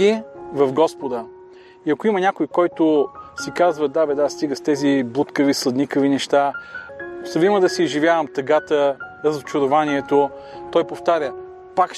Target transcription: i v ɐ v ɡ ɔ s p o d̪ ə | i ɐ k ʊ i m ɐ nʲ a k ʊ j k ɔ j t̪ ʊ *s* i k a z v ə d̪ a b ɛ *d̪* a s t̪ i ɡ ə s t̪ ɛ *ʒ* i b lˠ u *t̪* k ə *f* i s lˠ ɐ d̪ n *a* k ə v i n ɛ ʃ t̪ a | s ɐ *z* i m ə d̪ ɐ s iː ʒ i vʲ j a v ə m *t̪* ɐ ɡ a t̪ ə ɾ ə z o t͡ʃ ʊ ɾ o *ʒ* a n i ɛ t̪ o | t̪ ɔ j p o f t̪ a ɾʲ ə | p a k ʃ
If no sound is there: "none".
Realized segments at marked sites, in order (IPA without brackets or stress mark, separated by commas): s, d̪, z, t̪, v, i, v, t̪, v